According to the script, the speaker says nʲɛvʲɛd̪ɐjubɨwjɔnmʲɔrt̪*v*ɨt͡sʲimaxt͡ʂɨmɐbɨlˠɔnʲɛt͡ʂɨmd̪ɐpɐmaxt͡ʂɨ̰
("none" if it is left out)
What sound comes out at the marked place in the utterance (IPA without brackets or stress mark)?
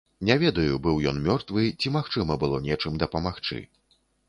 v